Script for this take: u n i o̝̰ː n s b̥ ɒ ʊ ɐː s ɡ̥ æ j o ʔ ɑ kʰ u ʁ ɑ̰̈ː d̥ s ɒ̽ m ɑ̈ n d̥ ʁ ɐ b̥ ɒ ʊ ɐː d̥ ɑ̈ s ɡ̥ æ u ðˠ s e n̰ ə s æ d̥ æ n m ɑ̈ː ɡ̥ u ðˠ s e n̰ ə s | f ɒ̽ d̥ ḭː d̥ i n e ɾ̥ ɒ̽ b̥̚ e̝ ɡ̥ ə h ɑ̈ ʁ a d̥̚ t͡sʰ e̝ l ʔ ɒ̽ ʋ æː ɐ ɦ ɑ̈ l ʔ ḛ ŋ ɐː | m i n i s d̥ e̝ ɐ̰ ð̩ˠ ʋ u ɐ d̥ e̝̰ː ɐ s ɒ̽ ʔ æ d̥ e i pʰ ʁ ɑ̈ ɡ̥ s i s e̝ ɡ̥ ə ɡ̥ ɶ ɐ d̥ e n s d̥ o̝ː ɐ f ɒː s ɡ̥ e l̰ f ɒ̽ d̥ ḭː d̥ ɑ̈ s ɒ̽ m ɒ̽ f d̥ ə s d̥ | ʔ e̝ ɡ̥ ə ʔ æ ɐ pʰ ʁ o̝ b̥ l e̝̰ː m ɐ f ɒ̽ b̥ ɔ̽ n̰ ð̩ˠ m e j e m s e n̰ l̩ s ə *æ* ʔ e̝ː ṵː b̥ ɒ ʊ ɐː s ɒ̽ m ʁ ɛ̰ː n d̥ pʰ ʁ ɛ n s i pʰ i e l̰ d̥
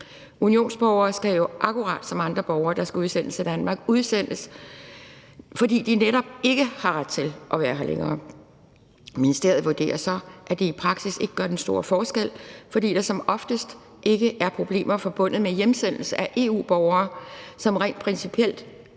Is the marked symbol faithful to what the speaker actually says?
yes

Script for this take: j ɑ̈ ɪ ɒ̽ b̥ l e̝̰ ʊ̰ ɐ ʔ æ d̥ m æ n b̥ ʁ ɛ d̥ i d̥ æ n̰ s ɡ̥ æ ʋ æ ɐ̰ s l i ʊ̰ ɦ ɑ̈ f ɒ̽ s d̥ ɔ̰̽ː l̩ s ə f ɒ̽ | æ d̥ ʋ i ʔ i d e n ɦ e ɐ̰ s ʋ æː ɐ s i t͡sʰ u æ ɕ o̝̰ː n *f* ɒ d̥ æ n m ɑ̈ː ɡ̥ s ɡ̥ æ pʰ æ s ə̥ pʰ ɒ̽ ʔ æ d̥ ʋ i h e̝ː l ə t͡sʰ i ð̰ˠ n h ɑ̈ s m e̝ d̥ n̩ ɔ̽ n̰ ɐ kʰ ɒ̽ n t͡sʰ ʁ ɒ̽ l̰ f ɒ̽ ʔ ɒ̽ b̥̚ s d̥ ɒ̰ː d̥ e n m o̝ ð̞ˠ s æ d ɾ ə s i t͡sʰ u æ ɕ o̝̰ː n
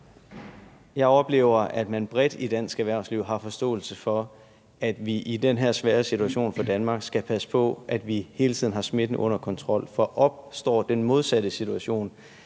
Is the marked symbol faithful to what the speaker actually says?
yes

